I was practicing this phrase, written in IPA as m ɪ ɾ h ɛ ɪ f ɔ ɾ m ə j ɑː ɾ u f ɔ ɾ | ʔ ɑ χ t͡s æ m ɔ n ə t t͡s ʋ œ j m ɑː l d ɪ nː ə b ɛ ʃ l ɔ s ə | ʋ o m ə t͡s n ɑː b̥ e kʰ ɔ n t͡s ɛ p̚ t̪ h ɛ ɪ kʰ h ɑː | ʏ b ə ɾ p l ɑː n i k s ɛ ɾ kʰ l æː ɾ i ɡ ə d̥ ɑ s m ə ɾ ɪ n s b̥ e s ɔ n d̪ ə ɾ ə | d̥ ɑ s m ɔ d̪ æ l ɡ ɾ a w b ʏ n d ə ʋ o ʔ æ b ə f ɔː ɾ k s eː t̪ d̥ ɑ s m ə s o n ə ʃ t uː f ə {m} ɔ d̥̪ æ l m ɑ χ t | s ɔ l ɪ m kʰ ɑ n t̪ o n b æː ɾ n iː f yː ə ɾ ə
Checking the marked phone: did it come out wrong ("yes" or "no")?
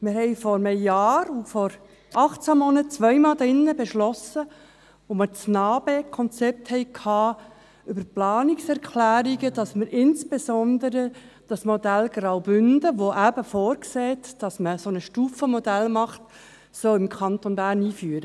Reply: no